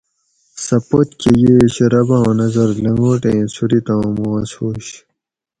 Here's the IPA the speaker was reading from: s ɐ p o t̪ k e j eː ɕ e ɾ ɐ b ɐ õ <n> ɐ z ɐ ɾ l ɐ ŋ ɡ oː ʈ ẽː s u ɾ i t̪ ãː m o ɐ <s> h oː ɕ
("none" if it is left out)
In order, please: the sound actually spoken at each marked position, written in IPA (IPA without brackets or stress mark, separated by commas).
n, s